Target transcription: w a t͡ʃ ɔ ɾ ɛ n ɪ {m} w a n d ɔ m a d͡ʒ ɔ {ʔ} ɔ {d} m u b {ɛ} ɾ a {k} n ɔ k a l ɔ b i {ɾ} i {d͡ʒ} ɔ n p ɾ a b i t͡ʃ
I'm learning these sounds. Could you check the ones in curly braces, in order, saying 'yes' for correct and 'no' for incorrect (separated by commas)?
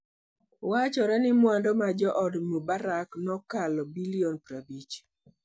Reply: yes, yes, yes, no, yes, no, no